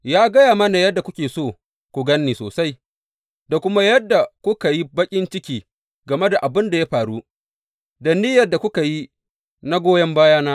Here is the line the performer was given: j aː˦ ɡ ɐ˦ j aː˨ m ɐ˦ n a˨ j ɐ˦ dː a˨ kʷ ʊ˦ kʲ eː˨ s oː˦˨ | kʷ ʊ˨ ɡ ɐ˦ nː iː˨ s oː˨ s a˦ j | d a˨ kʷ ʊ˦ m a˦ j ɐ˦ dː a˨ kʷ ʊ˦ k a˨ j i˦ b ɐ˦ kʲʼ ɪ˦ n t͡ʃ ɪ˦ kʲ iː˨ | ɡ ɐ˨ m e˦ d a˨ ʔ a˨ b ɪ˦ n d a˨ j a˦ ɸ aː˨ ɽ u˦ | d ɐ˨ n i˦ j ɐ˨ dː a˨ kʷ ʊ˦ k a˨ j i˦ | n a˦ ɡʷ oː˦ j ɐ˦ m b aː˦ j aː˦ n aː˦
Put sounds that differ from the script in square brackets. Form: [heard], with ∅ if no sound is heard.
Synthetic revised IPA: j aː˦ ɡ ɐ˦ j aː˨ m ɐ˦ n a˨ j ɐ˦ dː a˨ kʷ ʊ˦ kʲ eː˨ s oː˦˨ | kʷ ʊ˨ ɡ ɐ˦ nː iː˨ s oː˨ s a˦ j | d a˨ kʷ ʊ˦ m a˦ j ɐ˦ dː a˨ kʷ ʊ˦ k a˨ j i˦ b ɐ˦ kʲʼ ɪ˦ n t͡ʃ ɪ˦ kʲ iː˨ | ɡ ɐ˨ m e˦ d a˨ ʔ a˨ b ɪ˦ n d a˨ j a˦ ɸ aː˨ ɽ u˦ | d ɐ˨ n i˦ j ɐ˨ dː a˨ kʷ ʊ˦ k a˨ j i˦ | n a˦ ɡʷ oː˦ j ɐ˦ m b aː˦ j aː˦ n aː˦